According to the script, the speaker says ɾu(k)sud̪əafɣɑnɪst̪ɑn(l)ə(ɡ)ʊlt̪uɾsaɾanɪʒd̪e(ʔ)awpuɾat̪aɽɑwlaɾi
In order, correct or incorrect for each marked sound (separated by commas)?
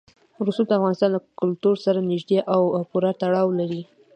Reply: incorrect, correct, incorrect, correct